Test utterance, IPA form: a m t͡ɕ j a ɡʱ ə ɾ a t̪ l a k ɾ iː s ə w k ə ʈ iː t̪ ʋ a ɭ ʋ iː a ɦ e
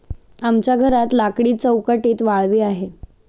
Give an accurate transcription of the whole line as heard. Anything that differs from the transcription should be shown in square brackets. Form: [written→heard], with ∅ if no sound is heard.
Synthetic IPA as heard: a m t͡ɕ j a ɡʱ ə ɾ a t̪ l a k [ɾ→ɽ] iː [s→t͡s] ə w k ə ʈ iː t̪ ʋ a ɭ ʋ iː a ɦ e

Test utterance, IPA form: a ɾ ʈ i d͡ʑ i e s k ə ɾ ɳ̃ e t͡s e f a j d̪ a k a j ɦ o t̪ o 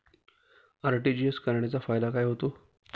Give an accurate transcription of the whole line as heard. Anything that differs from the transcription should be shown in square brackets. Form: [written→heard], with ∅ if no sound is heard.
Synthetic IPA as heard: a ɾ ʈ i d͡ʑ i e s k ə ɾ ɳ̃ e t͡s [e→a] f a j d̪ a k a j ɦ o t̪ o

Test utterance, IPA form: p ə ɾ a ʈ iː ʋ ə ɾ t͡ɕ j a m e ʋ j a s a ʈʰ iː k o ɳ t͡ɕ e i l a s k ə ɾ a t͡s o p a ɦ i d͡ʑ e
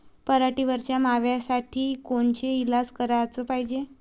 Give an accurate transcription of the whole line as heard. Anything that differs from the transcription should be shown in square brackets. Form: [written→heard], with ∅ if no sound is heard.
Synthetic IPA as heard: p ə ɾ a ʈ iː ʋ ə ɾ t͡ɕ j a m [e→a] ʋ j a s a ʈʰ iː k o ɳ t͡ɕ e i l a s k ə ɾ a t͡s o p a ɦ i d͡ʑ e

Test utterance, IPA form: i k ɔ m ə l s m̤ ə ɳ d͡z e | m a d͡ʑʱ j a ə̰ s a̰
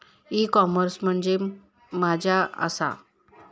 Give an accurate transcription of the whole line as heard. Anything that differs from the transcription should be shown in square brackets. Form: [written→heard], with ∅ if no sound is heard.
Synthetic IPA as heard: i k ɔ m ə [l→ɾ] s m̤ ə ɳ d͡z e | m a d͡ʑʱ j a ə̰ s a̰

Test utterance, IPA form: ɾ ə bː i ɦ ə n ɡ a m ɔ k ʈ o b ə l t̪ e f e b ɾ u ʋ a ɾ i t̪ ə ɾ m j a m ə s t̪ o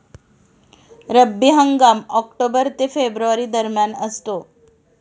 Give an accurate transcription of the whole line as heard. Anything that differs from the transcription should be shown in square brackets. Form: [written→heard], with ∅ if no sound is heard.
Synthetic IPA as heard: ɾ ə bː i ɦ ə [n→ŋ] ɡ a m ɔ k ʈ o b ə [l→ɾ] t̪ e f e b ɾ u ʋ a ɾ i [t̪→d̪] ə ɾ m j a [m→n] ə s t̪ o

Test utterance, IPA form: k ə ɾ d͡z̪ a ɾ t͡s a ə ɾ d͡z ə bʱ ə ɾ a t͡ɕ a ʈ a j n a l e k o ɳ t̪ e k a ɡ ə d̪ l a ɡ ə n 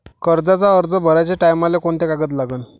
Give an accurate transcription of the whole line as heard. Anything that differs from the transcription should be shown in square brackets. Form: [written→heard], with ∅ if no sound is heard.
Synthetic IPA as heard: k ə ɾ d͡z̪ a [ɾ→∅] t͡s a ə ɾ d͡z ə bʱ ə ɾ a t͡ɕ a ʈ a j [n→m] a l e k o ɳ t̪ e k a ɡ ə [d̪→t̪] l a ɡ ə n

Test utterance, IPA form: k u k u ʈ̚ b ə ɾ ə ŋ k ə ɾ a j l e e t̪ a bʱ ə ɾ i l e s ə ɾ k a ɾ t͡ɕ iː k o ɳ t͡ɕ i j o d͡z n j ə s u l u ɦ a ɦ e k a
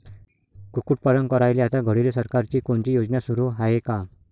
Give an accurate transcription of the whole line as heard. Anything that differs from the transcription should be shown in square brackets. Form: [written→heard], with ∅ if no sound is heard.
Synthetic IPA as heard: k u k u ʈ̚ [b→p] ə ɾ ə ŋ k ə ɾ a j l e [e→a] t̪ a [bʱ→ɡʱ] ə [ɾ→ɽ] i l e s ə ɾ k a ɾ t͡ɕ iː k o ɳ t͡ɕ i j o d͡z n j [ə→a] s u [l→ɾ] u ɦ a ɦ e k a

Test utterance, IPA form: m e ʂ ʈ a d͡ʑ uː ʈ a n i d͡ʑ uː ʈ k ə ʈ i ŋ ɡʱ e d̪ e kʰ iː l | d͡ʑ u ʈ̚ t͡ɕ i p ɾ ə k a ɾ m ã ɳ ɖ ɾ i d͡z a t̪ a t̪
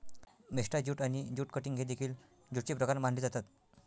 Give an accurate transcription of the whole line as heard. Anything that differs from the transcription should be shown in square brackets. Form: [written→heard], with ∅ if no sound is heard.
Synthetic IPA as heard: m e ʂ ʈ a d͡ʑ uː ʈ a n i d͡ʑ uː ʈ k ə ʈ i ŋ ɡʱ e d̪ e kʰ iː l | d͡ʑ u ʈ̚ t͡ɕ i p ɾ ə k a ɾ m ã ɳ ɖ [ɾ→l] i d͡z a t̪ a t̪

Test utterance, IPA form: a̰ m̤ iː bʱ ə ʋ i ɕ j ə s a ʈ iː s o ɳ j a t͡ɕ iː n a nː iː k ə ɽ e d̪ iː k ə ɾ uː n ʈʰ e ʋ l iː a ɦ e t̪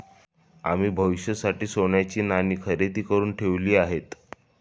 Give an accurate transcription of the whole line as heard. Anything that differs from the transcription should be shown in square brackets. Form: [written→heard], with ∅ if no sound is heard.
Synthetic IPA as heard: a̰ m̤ iː bʱ ə ʋ i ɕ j ə s a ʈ iː s o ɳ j a t͡ɕ iː n a [nː→n] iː [k→kʰ] ə [ɽ→ɾ] e [d̪→t̪] iː k ə ɾ uː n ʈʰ e ʋ l iː a ɦ e t̪

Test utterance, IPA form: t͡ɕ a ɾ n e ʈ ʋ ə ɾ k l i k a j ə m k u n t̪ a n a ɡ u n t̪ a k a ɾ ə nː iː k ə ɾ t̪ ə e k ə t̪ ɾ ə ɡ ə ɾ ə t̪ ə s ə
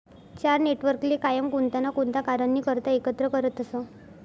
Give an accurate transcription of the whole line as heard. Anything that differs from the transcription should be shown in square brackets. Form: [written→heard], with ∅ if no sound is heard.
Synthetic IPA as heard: t͡ɕ a ɾ n e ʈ ʋ ə ɾ k l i k a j ə m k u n t̪ a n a [ɡ→k] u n t̪ a k a ɾ ə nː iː k ə ɾ t̪ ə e k ə t̪ ɾ ə [ɡ→k] ə ɾ ə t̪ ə s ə

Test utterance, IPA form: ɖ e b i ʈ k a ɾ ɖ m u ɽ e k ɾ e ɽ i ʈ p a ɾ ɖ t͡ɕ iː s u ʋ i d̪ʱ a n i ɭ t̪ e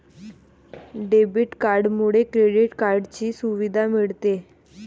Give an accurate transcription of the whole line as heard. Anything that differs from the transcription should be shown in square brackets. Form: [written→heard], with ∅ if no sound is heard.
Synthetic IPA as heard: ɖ e b i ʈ k a ɾ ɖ m u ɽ e k ɾ e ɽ i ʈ [p→k] a ɾ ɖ t͡ɕ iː s u ʋ i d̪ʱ a [n→m] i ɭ t̪ e

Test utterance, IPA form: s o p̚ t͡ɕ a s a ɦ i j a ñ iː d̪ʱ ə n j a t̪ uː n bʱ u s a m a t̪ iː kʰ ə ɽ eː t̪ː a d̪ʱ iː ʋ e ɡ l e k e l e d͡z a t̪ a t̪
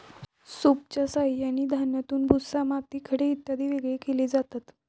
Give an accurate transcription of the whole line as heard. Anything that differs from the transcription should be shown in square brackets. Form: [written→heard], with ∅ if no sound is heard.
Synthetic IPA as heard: s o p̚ t͡ɕ a s a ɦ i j a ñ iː d̪ʱ [ə→a] n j a t̪ uː n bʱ u s a m a t̪ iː kʰ ə ɽ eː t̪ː a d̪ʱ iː ʋ e ɡ [l→ɭ] e k e l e d͡z a t̪ a t̪

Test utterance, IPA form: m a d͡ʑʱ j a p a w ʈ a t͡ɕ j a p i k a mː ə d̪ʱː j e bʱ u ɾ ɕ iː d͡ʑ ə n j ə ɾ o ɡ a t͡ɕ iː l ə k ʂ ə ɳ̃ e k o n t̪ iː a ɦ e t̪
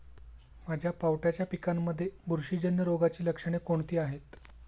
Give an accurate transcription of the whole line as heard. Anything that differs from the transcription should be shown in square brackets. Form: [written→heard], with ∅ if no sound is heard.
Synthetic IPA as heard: m a d͡ʑʱ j a p a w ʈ a t͡ɕ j a p i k a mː ə d̪ʱː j e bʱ u ɾ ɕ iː d͡ʑ ə n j ə ɾ o ɡ a t͡ɕ iː l ə k ʂ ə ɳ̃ e k o [n→ɳ] t̪ iː a ɦ e t̪

